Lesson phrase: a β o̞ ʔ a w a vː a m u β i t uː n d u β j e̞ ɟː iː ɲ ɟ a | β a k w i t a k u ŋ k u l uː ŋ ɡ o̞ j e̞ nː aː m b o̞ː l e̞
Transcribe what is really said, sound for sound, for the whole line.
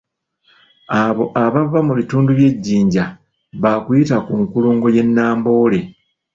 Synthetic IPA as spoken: a β o̞ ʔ a β a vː a m u β i t uː n d u β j e̞ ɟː iː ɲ ɟ a | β a k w i t a k u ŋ k u l uː ŋ ɡ o̞ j e̞ nː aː m b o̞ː l e̞